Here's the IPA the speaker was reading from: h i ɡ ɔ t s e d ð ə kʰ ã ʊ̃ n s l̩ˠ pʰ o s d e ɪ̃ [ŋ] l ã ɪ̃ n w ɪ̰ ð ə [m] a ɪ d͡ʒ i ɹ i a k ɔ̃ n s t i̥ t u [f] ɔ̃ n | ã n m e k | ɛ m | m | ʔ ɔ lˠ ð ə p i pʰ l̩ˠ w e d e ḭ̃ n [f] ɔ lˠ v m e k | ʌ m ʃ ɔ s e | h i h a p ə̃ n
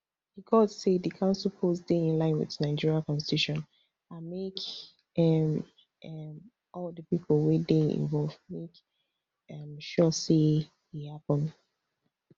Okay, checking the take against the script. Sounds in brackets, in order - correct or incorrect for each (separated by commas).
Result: incorrect, incorrect, incorrect, incorrect